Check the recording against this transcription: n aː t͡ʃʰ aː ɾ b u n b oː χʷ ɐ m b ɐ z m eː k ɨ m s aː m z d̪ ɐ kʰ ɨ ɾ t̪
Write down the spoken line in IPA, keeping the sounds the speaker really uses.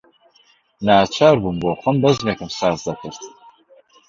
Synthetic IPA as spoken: n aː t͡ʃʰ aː ɾ b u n b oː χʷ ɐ m b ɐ z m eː k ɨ m s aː z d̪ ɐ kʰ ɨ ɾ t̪